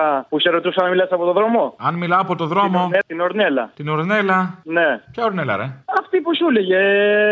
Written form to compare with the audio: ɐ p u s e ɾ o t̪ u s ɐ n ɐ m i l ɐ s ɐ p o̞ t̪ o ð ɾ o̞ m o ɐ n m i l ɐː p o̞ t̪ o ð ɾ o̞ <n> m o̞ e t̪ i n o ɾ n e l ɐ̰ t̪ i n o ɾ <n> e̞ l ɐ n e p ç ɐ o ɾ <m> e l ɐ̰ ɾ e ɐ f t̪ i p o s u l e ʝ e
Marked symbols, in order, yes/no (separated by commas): no, yes, no